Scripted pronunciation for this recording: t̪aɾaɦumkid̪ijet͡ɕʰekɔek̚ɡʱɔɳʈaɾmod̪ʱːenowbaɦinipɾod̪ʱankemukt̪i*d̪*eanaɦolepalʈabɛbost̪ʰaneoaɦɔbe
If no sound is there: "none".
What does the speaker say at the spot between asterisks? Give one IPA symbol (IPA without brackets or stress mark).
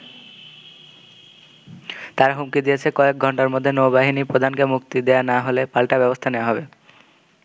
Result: d̪